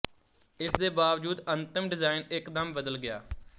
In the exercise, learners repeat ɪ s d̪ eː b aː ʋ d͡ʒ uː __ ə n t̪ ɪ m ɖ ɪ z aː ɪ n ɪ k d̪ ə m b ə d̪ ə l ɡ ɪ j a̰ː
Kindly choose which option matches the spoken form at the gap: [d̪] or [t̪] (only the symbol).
d̪